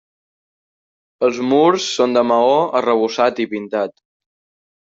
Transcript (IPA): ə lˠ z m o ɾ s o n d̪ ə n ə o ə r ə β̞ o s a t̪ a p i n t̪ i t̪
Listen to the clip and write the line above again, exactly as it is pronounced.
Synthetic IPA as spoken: ə lˠ z m u ɾ sː o n d̪ ə m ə o ə r ə β̞ u s a t̪ i p i n t̪ a t̪